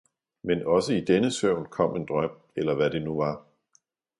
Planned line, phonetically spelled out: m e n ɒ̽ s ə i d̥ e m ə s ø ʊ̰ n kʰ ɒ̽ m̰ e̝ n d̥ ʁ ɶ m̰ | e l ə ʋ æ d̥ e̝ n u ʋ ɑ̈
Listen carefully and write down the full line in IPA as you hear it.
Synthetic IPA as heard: m e n ɒ̽ s ə i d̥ e n ə s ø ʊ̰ n kʰ ɒ̽ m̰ e̝ n d̥ ʁ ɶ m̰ | e l ɐ ʋ æ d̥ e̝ n u ʋ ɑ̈